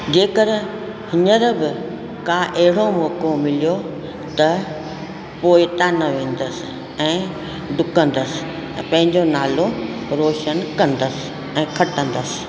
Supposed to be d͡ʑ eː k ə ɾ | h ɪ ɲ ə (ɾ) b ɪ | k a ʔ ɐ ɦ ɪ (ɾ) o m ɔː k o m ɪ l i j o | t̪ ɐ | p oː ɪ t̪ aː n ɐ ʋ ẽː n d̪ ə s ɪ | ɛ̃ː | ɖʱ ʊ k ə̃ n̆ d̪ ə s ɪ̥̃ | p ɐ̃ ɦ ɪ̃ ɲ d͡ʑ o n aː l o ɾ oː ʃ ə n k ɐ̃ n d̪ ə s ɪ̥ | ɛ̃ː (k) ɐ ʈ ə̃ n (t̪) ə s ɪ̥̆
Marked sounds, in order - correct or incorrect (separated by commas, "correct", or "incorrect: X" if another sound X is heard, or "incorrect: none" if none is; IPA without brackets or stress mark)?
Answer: correct, incorrect: ɽ, incorrect: kʰ, incorrect: d̪